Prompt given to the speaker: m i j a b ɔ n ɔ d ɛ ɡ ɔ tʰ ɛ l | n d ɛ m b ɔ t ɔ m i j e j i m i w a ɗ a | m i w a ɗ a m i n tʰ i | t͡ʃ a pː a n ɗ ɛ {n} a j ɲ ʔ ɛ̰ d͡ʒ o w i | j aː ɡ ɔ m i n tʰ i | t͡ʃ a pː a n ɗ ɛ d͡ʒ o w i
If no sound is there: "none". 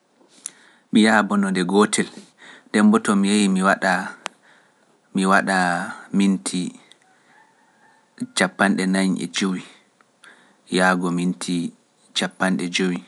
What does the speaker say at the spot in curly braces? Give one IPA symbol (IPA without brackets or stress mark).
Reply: n